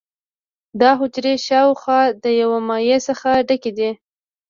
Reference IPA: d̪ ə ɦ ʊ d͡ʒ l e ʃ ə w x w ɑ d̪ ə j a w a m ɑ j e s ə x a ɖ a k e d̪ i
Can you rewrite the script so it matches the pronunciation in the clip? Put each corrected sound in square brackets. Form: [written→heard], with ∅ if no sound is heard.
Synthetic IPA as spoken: d̪ [ə→ɑ] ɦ ʊ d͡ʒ [l→ɾ] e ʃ [ə→ɑ] w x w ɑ d̪ ə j a w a m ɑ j e s ə x a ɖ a k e d̪ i